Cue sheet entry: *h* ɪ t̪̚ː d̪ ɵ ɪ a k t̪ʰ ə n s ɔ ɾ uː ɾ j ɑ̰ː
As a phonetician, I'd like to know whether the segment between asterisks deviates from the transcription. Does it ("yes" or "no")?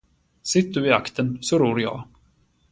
yes